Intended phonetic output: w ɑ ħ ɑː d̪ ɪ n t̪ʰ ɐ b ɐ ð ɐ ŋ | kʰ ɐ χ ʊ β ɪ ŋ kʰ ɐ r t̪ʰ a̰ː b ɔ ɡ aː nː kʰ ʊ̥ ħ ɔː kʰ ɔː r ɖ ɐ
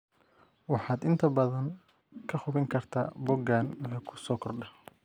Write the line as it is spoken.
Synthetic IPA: w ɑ ħ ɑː d̪ ɪ n t̪ʰ ɐ b ɐ ð ɐ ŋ | kʰ ɐ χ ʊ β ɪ ŋ kʰ ɐ r t̪ʰ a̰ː b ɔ ɡ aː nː kʰ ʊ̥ s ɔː kʰ ɔ r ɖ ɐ